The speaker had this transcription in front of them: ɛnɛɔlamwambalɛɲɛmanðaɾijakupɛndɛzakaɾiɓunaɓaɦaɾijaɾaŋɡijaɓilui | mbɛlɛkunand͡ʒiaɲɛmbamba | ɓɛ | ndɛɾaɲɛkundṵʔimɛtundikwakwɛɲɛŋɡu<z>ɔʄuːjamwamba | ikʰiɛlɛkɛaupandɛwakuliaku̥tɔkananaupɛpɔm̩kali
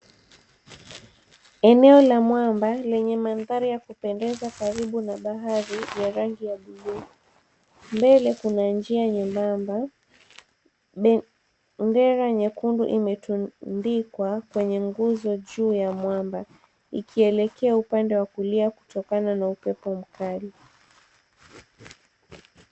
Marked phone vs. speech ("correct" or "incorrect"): correct